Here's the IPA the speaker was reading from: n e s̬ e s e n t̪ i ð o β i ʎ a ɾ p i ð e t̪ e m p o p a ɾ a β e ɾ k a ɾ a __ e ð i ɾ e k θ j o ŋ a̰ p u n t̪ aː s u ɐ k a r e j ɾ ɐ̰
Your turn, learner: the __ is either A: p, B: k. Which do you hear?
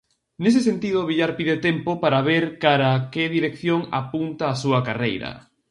B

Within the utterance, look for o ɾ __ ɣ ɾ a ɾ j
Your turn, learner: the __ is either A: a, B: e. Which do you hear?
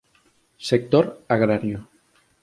A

